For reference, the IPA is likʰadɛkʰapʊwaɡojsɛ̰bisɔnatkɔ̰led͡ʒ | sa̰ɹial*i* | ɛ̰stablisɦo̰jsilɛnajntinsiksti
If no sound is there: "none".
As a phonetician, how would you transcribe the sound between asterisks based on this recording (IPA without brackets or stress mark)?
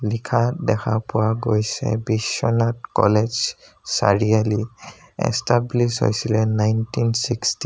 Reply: i